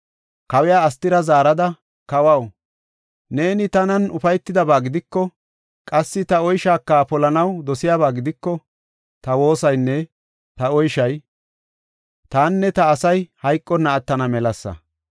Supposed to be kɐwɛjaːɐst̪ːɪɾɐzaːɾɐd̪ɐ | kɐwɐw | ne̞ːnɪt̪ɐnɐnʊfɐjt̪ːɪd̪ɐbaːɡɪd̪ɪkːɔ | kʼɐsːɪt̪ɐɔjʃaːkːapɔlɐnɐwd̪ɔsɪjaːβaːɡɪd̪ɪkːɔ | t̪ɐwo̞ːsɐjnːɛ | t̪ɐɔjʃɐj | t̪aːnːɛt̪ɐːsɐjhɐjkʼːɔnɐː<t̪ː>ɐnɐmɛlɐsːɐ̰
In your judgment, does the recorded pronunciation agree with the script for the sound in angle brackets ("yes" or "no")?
yes